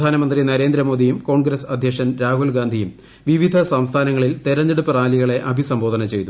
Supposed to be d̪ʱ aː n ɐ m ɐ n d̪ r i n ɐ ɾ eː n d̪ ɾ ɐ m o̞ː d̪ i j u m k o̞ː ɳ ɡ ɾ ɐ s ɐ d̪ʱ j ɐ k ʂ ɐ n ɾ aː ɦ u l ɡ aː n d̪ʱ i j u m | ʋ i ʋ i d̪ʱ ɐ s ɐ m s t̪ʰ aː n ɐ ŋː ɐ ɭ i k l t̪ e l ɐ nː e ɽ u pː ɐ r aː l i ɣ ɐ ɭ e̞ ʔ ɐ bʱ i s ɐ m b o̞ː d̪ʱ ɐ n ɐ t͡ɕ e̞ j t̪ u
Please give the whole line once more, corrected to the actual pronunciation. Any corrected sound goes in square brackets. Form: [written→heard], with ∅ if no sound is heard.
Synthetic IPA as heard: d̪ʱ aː n ɐ m ɐ n d̪ r i n ɐ ɾ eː n d̪ ɾ ɐ m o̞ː d̪ i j u m k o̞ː ɳ ɡ ɾ ɐ s ɐ d̪ʱ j ɐ k ʂ ɐ n ɾ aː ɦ u l ɡ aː n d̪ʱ i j u m | ʋ i ʋ i d̪ʱ ɐ s ɐ m s t̪ʰ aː n ɐ ŋː ɐ ɭ i [k→∅] l t̪ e [l→ɾ] ɐ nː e ɽ u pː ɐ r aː l i ɣ ɐ ɭ e̞ ʔ ɐ bʱ i s ɐ m b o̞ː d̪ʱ ɐ n ɐ t͡ɕ e̞ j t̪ u